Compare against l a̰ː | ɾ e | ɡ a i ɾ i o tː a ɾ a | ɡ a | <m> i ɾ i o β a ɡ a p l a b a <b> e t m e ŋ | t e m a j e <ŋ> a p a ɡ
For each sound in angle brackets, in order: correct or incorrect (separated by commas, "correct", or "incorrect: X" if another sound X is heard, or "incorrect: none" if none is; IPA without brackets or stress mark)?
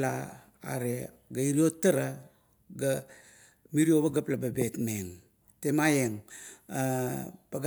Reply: correct, correct, correct